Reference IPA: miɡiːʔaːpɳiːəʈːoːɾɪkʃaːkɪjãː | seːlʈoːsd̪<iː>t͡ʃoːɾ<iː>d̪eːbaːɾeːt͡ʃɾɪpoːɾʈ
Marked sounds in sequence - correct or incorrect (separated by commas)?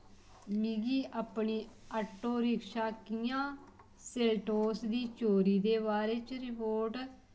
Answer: correct, correct